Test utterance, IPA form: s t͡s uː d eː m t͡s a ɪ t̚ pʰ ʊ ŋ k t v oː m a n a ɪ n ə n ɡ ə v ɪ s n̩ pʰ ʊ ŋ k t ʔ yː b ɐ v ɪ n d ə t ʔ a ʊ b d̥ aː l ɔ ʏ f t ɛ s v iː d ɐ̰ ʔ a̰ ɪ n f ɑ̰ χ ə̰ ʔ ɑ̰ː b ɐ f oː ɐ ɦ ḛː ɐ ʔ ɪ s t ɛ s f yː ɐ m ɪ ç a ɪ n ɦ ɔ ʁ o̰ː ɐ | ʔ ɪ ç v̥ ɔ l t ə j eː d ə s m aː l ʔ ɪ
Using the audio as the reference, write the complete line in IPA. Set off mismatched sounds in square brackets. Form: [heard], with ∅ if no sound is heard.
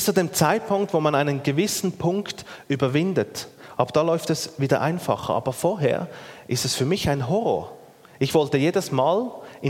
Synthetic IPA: s t͡s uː d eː m t͡s a ɪ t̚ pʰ ʊ ŋ k t v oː m a n a ɪ n ə n ɡ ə v ɪ s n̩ pʰ ʊ ŋ k t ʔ yː b ɐ v ɪ n d ə t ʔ a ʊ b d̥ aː l ɔ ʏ f t ɛ s v iː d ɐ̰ ʔ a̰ ɪ n f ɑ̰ χ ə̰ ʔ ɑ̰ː b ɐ f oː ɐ ɦ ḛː ɐ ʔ ɪ s t ɛ s f yː ɐ m ɪ ç a ɪ n ɦ ɔ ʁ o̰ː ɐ | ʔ ɪ ç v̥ ɔ l t ə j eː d ə s m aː l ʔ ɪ